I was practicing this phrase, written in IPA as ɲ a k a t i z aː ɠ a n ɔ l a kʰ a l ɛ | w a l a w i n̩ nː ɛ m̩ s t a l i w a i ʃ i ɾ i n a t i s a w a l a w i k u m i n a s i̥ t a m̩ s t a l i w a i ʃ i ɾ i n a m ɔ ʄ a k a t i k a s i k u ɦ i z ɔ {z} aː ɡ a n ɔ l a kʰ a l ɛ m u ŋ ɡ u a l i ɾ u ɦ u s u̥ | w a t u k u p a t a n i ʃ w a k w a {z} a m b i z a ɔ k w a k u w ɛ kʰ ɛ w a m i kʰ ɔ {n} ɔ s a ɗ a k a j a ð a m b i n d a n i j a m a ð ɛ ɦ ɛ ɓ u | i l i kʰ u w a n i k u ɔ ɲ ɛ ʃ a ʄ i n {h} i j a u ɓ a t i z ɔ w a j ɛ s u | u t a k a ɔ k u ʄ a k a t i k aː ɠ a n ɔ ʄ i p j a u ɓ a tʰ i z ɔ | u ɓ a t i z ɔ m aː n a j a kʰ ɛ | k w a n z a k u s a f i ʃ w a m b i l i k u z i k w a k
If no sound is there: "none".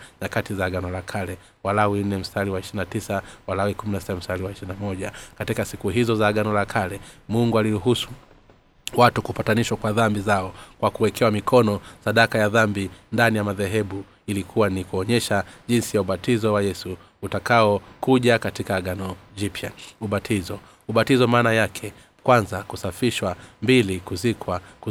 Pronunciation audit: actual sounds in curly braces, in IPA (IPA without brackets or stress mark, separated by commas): z, ð, n, s